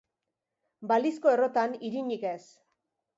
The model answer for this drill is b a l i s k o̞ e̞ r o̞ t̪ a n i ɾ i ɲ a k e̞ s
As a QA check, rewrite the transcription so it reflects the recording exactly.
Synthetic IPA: b a l i s k o̞ e̞ r o̞ t̪ a n i ɾ i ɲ i k e̞ s